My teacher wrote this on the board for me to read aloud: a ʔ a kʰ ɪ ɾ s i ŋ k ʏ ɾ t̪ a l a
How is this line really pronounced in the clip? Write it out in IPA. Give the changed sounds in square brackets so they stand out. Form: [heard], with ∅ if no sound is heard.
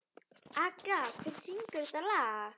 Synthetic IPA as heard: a [k] a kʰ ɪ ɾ s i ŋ k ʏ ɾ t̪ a l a

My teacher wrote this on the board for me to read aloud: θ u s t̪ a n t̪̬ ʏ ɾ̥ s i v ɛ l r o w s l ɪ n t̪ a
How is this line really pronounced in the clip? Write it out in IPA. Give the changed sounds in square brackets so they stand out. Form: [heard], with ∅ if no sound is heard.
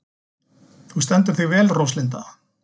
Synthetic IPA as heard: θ u s t̪ [ɛ] n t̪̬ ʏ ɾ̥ [θ] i v [ɛː] l r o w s l ɪ n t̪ a

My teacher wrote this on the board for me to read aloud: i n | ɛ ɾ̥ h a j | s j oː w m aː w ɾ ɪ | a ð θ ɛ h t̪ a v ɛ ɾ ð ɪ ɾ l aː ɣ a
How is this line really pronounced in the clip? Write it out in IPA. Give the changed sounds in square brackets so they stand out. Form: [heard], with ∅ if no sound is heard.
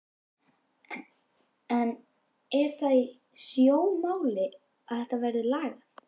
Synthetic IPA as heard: [ɛ] n | ɛ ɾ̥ [θ] a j | s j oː w m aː w [l] ɪ | a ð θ ɛ h t̪ a v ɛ ɾ ð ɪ [∅] l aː ɣ a

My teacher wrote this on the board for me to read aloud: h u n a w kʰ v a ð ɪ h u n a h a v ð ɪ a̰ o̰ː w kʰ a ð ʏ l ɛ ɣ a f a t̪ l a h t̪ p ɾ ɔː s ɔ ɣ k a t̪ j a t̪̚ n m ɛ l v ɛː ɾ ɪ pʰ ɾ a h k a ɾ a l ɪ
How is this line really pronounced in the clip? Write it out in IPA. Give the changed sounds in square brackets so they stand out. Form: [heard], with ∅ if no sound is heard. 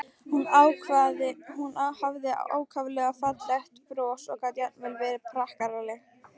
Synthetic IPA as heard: h u n a w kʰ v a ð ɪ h u n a h a v ð ɪ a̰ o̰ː w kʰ a [v] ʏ l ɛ ɣ a f a t̪ l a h t̪ p ɾ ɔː s ɔ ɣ k a t̪ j a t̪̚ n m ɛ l v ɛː ɾ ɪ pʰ ɾ a h k a ɾ a l ɪ

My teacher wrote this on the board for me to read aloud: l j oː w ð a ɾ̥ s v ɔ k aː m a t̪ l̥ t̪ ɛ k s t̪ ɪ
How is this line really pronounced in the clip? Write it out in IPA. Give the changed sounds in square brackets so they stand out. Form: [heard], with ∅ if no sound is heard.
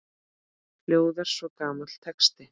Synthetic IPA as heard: l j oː w ð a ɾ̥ s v ɔ k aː m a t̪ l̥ [t̪ʰ] ɛ k s t̪ ɪ

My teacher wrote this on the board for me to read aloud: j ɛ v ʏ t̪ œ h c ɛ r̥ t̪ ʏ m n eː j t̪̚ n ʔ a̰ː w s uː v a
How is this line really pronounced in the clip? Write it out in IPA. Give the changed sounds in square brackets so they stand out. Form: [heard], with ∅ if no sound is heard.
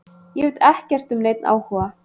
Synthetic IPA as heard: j ɛ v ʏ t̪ [ɛ] h c ɛ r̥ t̪ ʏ m n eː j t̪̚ n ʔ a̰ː w [h] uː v a

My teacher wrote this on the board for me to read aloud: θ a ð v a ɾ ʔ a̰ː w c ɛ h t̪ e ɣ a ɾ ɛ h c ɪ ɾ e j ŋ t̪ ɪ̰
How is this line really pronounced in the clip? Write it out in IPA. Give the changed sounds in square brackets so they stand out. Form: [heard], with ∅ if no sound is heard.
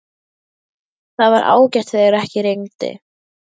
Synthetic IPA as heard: θ a ð v a ɾ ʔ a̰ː w c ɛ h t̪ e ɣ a ɾ ɛ h c ɪ ɾ e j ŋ t̪ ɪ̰

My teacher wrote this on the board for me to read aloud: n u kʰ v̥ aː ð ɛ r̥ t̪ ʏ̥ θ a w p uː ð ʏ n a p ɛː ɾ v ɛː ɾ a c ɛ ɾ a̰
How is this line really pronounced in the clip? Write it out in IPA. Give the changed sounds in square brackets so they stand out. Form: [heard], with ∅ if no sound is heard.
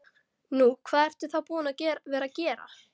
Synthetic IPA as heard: n u kʰ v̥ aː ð ɛ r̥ t̪ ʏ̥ θ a w p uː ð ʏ n a [c] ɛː ɾ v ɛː ɾ a c [ɛː] ɾ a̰

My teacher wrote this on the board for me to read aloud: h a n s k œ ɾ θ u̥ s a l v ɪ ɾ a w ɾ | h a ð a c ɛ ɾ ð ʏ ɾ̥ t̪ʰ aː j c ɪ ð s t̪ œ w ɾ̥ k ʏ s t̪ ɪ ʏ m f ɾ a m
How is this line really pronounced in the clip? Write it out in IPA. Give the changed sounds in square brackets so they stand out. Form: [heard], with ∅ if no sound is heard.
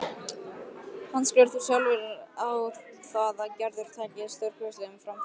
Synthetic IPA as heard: h a n s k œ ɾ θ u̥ s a l v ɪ ɾ a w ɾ | [θ] a ð a c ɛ ɾ ð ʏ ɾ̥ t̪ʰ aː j c ɪ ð s t̪ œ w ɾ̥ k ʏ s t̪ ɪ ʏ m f ɾ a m

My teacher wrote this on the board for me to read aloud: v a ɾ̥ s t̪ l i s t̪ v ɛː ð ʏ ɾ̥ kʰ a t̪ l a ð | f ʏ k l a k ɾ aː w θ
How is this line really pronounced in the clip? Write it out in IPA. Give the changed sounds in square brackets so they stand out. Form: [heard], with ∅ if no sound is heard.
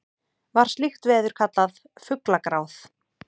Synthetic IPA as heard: v a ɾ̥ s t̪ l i [x] t̪ v ɛː ð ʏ ɾ̥ kʰ a t̪ l a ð | f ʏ k l a k ɾ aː w θ

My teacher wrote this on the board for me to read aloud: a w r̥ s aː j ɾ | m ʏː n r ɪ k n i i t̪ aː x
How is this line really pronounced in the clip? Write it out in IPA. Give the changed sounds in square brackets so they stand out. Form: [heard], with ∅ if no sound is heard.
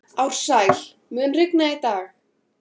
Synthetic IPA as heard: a w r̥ s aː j [l] | m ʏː n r ɪ k n [a] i t̪ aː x

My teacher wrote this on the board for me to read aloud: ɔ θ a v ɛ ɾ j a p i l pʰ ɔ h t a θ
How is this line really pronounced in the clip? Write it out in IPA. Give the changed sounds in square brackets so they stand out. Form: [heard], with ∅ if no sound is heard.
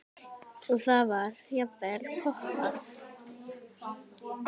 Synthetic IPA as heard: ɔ θ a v [a] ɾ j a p [ɛ] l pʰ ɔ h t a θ

